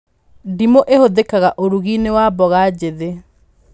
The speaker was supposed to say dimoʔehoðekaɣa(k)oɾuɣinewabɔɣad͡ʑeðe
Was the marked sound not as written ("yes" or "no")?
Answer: yes